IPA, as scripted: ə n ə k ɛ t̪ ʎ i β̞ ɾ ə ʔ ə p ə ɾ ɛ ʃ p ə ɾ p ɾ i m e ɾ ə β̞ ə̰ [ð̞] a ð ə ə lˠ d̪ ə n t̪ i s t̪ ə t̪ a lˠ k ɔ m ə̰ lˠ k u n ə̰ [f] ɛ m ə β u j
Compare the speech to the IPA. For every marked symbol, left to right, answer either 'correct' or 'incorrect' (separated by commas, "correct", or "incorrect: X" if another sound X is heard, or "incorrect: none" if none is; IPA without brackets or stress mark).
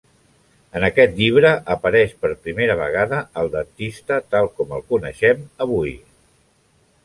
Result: incorrect: ɣ̞, incorrect: ʃ